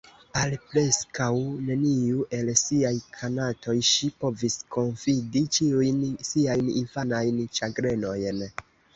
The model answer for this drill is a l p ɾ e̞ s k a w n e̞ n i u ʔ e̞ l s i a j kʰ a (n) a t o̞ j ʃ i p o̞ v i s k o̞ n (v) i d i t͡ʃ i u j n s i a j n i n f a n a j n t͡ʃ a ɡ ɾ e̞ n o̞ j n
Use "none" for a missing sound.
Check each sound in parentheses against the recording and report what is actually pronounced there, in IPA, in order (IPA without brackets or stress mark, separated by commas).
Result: n, f